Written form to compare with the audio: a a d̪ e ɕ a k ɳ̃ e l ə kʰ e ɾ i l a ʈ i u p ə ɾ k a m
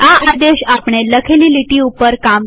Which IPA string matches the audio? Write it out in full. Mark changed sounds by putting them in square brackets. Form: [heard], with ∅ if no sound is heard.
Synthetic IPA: a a d̪ e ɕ a [p] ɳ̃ e l ə kʰ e [l] i l [i] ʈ i u p ə ɾ k a m